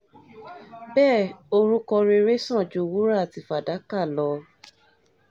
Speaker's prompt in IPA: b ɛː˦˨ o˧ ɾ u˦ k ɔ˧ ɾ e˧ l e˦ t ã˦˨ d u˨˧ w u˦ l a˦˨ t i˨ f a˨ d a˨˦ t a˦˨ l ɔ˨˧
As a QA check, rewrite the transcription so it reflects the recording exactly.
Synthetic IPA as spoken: b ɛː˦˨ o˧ ɾ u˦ k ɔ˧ ɾ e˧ ɾ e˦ s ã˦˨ d͡ʒ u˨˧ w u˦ ɾ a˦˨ t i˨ f a˨ d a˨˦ k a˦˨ l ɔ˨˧

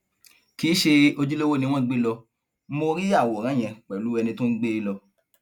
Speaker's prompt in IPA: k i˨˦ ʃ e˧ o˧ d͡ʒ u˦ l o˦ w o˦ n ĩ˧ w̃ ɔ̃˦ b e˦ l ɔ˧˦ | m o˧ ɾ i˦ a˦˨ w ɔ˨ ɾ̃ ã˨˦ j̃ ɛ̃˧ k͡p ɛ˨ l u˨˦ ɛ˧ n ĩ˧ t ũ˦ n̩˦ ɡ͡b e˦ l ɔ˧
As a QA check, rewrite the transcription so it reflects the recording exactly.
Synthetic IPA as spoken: k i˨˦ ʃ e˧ o˧ d͡ʒ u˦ l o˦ w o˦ n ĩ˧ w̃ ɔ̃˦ ɡ͡b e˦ l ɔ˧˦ | m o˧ ɾ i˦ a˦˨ w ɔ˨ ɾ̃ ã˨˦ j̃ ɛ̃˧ k͡p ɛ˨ l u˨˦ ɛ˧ n ĩ˧ t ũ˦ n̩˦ ɡ͡b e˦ l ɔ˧

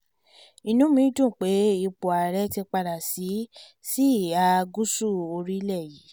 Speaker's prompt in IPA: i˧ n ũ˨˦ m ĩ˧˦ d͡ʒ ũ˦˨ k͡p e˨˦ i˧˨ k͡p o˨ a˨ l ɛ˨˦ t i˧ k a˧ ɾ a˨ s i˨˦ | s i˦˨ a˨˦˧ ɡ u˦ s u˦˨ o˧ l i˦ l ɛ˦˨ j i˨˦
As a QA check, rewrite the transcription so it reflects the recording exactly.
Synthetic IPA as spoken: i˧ n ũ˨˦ m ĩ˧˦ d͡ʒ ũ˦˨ k͡p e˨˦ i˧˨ k͡p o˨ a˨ ɾ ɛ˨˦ t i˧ k͡p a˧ ɾ a˨ s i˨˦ | s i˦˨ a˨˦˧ ɡ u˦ s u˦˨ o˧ ɾ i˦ l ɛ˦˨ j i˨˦

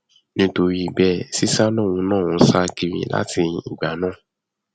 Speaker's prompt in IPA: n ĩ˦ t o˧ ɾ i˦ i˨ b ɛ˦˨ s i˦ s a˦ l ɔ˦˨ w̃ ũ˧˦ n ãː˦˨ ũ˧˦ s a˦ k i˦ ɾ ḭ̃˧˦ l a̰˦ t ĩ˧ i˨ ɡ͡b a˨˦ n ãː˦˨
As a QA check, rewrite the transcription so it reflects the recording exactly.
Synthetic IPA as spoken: n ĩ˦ t o˧ ɾ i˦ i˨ b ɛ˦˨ s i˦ s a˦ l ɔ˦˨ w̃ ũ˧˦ n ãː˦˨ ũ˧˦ s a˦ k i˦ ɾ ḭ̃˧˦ l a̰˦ t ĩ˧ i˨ ɡ͡b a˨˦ n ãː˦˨

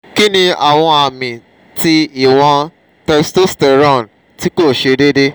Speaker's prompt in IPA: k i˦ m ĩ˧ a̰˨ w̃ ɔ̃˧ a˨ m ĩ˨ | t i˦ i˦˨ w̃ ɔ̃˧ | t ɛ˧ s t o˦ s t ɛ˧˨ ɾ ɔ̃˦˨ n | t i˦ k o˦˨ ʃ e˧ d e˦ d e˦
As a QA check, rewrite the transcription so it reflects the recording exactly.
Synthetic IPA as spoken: k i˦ n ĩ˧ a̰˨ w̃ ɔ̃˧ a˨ m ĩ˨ | t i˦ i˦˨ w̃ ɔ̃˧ | t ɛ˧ s t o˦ s t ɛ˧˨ ɾ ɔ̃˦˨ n | t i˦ k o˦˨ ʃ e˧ d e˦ d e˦

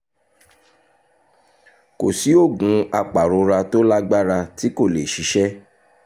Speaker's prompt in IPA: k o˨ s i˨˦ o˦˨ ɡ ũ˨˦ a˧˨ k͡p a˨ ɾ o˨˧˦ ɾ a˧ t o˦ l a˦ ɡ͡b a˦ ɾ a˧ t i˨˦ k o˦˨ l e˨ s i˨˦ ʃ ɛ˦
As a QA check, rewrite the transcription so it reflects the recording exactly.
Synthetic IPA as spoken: k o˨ s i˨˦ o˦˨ ɡ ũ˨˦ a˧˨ k͡p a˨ ɾ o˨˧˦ ɾ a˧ t o˦ l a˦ ɡ͡b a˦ ɾ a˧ t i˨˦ k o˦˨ l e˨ ʃ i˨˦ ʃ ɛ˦

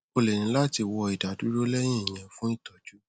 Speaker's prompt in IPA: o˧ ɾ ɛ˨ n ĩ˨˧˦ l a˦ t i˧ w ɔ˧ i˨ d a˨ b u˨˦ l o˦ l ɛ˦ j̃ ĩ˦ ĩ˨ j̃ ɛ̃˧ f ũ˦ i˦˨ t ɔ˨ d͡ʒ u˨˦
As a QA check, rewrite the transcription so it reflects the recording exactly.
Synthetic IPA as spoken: o˧ l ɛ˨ n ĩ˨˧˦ l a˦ t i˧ w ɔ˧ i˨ d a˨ d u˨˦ ɾ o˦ l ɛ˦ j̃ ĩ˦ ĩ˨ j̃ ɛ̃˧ f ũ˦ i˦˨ t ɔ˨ d͡ʒ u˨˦

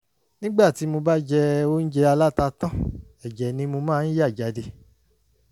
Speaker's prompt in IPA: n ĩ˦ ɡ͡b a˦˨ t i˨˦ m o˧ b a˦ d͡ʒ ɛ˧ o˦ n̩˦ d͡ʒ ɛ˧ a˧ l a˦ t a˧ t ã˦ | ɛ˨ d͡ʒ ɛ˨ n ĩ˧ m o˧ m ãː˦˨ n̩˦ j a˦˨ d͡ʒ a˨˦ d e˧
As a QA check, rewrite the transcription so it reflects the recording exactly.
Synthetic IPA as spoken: n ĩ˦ ɡ͡b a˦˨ t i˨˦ m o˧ b a˦ d͡ʒ ɛ˧ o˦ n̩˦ d͡ʒ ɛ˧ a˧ l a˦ t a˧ t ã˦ | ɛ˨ d͡ʒ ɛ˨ n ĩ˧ m o˧ m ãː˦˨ n̩˦ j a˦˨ d͡ʒ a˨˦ d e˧

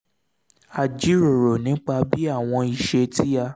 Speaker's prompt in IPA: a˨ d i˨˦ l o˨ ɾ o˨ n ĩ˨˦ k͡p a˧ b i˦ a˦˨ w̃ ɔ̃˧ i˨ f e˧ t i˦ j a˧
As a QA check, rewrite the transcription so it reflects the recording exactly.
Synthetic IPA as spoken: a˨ d͡ʒ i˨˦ ɾ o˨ ɾ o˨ n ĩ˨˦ k͡p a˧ b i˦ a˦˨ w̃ ɔ̃˧ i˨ ʃ e˧ t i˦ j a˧

